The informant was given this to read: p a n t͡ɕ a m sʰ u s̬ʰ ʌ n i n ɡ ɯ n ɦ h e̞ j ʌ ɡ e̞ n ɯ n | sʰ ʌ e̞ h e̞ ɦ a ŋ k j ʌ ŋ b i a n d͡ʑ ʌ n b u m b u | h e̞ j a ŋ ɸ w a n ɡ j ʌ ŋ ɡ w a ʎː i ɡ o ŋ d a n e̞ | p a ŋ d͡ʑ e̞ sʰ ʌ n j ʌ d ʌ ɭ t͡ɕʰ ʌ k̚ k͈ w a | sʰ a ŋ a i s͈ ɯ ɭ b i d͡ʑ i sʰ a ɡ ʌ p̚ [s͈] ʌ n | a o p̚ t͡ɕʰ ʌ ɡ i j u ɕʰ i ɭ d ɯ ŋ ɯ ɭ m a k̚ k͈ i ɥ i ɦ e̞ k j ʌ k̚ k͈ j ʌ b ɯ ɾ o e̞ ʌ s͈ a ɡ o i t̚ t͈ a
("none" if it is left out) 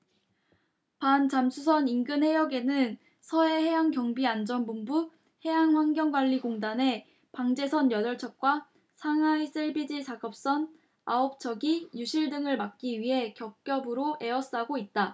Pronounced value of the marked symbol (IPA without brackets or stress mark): s͈